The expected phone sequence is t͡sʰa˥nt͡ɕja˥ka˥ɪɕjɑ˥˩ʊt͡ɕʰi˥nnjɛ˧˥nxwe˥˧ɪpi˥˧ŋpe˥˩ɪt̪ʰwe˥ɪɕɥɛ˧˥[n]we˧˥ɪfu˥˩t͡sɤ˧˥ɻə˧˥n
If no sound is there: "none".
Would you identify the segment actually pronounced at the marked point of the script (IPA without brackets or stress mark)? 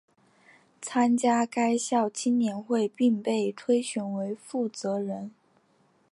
n